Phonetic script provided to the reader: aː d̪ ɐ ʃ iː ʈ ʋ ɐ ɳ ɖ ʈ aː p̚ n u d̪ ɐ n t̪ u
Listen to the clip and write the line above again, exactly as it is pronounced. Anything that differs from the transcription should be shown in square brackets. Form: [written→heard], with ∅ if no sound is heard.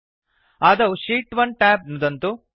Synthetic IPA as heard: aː d̪ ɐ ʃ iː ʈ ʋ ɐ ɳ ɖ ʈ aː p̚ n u d̪ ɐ n t̪ u